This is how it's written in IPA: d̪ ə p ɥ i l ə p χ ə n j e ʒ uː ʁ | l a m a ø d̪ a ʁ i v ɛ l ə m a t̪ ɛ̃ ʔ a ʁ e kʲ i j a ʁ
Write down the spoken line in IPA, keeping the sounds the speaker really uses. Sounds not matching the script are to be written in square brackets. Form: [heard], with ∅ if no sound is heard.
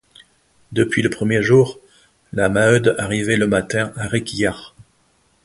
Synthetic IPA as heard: d̪ ə p ɥ i l ə p χ ə [m] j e ʒ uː ʁ | l a m a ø d̪ a ʁ i v ɛ l ə m a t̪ ɛ̃ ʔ a ʁ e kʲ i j a ʁ